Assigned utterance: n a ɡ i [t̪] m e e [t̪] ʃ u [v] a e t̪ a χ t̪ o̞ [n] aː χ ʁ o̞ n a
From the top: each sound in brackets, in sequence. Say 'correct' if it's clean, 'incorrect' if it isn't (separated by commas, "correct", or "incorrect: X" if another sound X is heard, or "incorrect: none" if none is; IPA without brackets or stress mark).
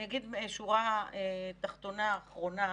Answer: incorrect: d̪, incorrect: none, incorrect: ʁ, correct